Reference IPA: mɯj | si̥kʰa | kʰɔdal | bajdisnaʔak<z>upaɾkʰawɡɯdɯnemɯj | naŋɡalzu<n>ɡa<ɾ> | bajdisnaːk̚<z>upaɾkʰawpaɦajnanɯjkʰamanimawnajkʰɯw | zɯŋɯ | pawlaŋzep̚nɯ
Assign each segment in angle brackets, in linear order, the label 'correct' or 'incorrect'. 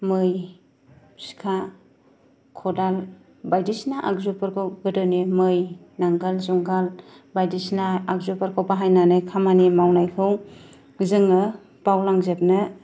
correct, incorrect, incorrect, correct

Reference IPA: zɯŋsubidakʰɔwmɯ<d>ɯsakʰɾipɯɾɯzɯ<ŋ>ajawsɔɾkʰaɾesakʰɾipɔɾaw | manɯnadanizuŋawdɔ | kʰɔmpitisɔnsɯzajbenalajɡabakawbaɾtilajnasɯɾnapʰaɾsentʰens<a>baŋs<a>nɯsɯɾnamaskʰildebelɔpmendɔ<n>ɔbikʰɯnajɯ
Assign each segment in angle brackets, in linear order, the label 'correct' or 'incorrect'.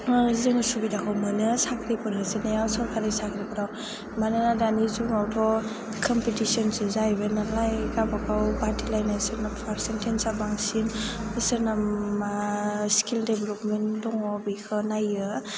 incorrect, incorrect, correct, incorrect, incorrect

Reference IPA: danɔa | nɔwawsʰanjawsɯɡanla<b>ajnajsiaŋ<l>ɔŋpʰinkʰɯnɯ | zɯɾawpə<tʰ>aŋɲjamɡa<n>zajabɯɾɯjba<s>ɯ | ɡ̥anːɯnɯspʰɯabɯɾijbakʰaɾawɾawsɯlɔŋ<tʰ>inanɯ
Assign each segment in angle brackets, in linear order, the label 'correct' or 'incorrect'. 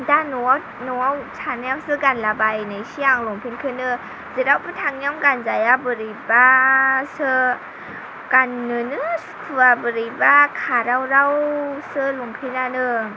correct, correct, correct, correct, correct, incorrect

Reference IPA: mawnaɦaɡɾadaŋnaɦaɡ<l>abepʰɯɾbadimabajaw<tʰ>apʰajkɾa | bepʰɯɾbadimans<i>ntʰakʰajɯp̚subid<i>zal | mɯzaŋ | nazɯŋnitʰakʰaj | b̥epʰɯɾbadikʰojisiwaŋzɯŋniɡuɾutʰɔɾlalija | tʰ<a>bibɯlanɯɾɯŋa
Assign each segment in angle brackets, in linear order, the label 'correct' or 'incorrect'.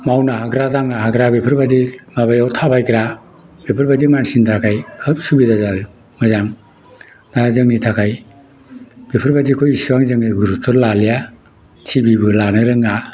incorrect, correct, correct, incorrect, incorrect

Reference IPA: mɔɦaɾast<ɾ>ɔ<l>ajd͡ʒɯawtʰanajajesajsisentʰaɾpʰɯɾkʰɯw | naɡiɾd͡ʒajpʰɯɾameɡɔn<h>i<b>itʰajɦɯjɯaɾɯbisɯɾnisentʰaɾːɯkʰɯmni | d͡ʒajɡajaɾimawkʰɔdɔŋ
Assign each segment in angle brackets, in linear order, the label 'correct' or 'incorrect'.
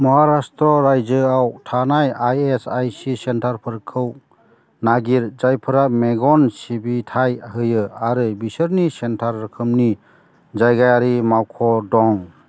correct, incorrect, incorrect, correct

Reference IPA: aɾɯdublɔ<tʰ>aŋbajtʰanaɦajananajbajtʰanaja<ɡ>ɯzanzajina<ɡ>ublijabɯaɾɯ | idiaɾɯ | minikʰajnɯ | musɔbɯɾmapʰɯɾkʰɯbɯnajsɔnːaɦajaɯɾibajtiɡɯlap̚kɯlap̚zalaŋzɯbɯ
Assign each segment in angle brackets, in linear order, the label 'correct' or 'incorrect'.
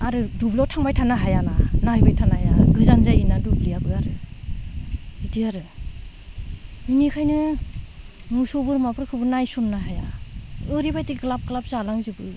correct, correct, incorrect

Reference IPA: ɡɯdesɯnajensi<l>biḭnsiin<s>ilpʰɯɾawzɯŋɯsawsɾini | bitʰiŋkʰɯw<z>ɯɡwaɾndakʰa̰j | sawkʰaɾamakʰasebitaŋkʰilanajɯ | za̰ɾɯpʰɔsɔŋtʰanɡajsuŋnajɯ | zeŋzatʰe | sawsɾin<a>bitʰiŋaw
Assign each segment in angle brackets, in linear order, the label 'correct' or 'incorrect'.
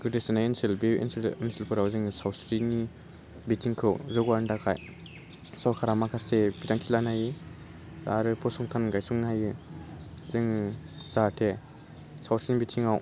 correct, correct, correct, incorrect

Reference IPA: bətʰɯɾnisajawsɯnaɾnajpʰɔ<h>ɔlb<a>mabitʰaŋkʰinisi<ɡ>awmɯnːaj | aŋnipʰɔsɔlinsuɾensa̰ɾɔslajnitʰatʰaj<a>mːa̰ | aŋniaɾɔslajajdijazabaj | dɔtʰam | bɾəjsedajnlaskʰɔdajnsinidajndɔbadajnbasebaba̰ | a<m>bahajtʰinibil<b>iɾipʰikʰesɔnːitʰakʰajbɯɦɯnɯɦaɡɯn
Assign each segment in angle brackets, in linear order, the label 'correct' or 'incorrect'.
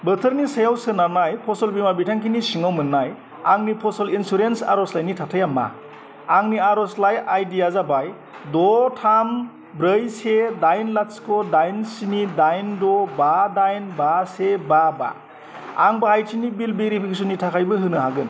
incorrect, incorrect, incorrect, correct, incorrect, correct

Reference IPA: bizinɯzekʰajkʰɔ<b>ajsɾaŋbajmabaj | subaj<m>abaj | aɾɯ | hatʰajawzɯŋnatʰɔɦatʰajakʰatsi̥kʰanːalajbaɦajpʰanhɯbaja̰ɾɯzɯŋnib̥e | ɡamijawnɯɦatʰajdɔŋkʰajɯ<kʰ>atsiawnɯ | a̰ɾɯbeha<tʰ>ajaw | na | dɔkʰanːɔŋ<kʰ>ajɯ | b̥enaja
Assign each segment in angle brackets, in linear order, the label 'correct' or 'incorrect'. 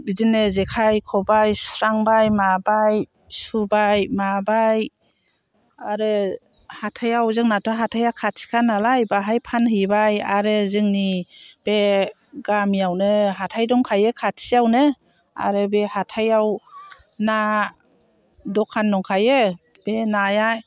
correct, correct, correct, correct, correct

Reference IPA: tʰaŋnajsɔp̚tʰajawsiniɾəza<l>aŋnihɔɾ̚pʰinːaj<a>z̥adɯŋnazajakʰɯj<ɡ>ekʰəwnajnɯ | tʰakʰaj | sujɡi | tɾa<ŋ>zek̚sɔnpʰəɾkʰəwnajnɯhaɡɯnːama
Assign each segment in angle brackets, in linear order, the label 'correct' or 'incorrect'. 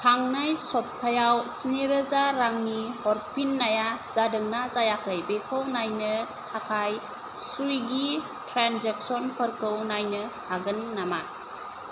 incorrect, correct, incorrect, incorrect

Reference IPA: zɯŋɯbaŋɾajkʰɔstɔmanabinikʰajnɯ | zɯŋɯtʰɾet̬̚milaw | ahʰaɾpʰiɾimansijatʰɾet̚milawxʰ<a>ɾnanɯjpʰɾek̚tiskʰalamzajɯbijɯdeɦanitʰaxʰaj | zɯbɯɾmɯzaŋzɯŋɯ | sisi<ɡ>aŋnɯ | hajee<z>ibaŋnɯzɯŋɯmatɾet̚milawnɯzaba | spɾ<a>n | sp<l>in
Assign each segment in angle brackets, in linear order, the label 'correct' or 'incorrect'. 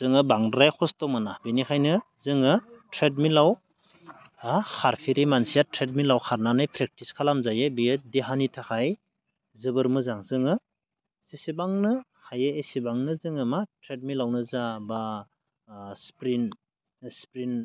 correct, incorrect, incorrect, incorrect, incorrect

